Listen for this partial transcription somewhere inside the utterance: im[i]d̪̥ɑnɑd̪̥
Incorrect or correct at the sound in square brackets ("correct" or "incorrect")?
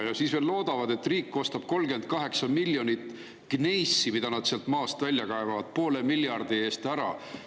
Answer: correct